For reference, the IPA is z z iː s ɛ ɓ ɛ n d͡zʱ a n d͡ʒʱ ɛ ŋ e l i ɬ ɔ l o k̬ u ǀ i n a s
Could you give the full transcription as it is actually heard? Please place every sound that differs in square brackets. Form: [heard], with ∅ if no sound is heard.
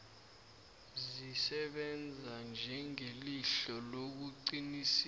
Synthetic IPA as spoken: z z [i] s ɛ ɓ ɛ n d͡zʱ a n d͡ʒʱ ɛ ŋ e l i ɬ ɔ l o k̬ u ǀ i n [i] s